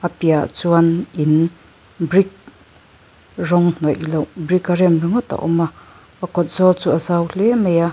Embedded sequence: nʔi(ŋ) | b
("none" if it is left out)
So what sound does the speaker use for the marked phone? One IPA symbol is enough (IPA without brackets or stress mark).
n